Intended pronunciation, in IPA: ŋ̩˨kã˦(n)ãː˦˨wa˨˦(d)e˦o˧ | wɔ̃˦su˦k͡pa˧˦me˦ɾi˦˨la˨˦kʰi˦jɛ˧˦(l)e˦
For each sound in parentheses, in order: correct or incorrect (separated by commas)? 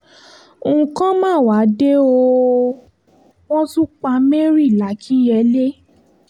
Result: incorrect, correct, correct